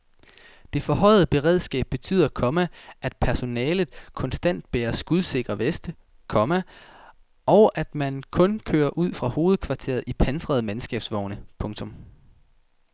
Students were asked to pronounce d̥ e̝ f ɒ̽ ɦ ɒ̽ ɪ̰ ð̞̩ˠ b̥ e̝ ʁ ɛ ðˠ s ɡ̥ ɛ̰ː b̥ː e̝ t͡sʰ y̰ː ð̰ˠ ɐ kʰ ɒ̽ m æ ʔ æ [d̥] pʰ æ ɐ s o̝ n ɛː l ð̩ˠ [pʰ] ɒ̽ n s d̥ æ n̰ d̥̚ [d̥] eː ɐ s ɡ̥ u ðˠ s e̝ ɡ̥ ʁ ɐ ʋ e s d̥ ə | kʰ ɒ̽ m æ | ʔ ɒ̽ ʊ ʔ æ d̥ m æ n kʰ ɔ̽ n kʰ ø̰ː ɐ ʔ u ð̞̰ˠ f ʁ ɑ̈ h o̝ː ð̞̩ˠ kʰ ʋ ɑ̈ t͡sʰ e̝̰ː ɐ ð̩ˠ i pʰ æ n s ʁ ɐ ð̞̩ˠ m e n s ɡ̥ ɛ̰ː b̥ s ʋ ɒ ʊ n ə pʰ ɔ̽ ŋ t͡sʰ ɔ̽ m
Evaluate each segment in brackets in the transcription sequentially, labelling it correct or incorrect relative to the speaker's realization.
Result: correct, incorrect, incorrect

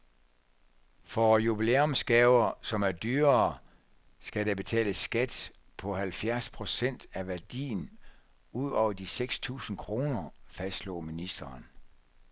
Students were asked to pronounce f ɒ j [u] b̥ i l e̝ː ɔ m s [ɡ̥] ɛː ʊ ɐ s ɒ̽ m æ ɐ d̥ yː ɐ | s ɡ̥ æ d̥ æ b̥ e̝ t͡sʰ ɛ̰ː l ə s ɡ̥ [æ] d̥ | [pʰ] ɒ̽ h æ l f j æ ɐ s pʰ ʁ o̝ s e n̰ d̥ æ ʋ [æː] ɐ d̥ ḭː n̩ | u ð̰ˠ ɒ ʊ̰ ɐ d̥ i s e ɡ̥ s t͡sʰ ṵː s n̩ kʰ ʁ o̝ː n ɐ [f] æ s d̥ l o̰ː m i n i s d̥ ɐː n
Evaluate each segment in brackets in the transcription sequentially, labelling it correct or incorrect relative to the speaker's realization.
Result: correct, correct, correct, correct, incorrect, correct

